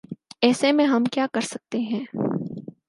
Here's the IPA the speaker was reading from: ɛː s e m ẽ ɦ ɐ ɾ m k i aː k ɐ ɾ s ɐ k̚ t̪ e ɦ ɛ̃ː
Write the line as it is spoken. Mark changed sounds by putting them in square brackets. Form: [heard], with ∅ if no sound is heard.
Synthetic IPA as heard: ɛː s e m ẽ ɦ ɐ [∅] m k [j] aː k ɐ ɾ s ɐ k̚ t̪ e ɦ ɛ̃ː